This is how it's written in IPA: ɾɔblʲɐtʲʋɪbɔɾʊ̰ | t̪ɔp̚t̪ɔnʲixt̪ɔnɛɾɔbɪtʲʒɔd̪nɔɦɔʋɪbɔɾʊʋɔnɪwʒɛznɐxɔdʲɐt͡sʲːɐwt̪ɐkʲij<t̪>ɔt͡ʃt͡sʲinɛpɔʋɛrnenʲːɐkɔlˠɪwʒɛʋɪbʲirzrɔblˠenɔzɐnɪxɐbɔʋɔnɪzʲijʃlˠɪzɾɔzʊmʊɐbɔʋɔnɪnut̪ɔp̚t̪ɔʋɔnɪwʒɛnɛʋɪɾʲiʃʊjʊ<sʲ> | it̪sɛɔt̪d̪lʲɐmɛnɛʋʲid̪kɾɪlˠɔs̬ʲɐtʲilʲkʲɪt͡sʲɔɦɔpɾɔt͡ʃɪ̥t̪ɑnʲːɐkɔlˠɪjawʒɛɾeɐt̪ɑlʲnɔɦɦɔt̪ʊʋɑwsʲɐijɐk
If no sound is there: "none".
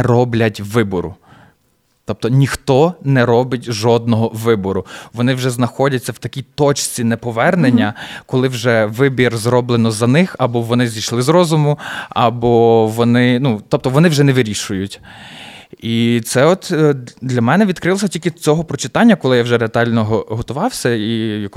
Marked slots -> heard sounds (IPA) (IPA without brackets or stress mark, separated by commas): t̪, tʲ